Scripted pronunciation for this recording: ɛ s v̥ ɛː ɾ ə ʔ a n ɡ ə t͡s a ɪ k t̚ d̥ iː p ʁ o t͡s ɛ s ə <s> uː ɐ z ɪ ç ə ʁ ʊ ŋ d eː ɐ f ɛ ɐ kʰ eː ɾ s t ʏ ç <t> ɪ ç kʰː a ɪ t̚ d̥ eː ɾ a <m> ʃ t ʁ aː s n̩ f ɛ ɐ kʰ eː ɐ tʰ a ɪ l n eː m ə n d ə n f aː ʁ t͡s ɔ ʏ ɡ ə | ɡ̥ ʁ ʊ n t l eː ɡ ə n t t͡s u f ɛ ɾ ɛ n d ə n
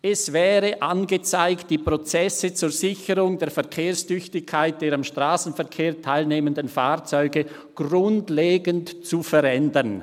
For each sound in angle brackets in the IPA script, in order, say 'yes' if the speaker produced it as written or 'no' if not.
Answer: no, yes, yes

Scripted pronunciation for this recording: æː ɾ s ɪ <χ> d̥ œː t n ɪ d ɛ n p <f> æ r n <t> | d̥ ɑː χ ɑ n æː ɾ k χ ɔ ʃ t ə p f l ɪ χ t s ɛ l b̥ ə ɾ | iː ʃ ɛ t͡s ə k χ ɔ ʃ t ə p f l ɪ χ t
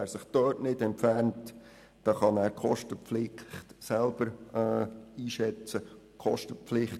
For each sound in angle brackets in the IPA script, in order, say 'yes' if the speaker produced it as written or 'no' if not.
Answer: yes, yes, yes

